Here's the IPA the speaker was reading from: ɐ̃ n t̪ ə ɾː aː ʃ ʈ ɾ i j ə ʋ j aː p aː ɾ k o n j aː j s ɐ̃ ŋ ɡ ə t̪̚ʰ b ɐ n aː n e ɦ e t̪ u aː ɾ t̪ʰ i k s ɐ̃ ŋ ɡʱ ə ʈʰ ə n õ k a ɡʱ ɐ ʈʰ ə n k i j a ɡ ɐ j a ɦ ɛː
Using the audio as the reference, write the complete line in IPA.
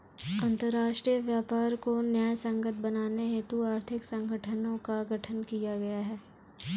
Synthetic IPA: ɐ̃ n t̪ ə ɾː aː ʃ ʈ ɾ i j ə ʋ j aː p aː ɾ k o n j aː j s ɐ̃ ŋ ɡ ə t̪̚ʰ b ɐ n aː n e ɦ e t̪ u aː ɾ t̪ʰ ɪ k s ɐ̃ ŋ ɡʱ ə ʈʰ ə n õ k a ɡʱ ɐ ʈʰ ə n k i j a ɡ ɐ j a ɦ ɛː